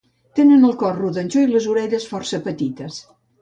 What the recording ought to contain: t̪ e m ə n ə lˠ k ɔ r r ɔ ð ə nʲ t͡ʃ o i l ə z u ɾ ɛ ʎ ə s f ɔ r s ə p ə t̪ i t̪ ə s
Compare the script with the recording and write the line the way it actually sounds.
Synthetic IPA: t̪ e n ə n ə lˠ k ɔ r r u ð ə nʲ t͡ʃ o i l ə z u ɾ ɛ ʎ ə s f ɔ r s ə p ə t̪ i t̪ ə s

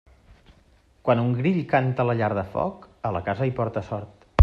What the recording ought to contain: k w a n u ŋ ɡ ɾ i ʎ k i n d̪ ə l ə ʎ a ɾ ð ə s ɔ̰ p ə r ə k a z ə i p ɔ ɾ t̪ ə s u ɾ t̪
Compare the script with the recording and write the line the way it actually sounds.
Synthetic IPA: k w a n u ŋ ɡ ɾ i ʎ k a n t̪ ə l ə ʎ a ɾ ð ə f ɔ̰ k ə l ə k a z ə i p ɔ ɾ t̪ ə s ɔ ɾ t̪

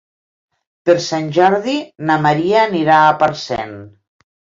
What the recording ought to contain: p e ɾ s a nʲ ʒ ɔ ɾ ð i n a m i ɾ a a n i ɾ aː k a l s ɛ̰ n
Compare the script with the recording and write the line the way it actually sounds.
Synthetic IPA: p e ɾ s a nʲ ʒ ɔ ɾ ð i n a m a ɾ i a n i ɾ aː p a ɾ s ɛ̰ n

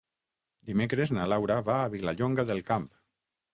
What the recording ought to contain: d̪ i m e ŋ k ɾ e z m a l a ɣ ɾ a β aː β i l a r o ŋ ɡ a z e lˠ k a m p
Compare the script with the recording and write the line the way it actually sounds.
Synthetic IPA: d̪ i m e k ɾ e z n a l a w ɾ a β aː β i l a ʎ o ŋ ɡ a ð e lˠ k a m p

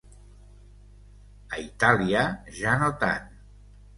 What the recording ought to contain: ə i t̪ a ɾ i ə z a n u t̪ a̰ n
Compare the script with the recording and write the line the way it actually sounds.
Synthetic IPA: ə i t̪ a l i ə ʒ a n o t̪ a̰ n

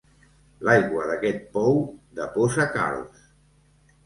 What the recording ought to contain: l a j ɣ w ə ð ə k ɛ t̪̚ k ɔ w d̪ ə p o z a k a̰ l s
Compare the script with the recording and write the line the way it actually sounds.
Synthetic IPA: l a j ɣ w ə ð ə k ɛ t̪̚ p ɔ w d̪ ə p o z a k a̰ l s

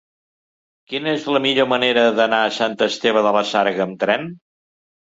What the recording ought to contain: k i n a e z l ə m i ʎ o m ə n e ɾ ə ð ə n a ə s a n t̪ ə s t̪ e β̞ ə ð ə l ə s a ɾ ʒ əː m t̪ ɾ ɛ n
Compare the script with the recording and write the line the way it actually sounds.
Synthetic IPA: k i n ə e z l ə m i ʎ o m ə n e ɾ ə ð ə n a ə s a n t̪ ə s t̪ e β̞ ə ð ə l ə s a ɾ ɣ əː m t̪ ɾ ɛ n

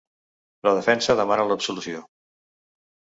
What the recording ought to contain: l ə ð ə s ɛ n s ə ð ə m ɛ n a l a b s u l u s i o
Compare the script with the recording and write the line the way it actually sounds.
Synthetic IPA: l ə ð ə f ɛ n s ə ð ə m a n ə l ə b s u l u s i o

